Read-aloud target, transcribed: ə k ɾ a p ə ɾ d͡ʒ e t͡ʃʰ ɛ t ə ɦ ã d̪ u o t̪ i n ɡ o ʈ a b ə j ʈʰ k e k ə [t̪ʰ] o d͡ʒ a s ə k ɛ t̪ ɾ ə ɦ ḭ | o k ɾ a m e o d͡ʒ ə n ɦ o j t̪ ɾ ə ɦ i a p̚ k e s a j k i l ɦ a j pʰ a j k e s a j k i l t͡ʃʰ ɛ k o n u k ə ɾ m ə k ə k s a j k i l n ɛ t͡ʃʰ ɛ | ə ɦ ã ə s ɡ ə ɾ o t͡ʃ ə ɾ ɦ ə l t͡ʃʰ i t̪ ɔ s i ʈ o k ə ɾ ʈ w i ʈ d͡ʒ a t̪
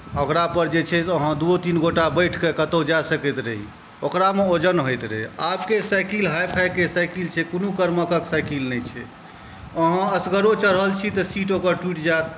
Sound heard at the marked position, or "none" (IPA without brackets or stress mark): t̪